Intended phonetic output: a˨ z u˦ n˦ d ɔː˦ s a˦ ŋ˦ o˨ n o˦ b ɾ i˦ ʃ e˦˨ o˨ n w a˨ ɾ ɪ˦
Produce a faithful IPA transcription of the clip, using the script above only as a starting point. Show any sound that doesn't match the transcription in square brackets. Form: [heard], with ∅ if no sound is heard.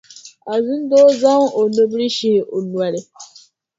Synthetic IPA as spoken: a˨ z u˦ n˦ d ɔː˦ [z] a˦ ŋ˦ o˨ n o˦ b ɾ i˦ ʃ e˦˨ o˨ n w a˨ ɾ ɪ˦